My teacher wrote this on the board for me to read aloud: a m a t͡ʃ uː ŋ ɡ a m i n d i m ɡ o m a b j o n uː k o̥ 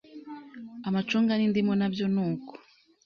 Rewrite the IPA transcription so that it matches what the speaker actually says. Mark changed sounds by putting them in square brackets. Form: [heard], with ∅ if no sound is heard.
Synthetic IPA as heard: a m a t͡ʃ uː ŋ ɡ a [n] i n d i m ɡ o [n] a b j o n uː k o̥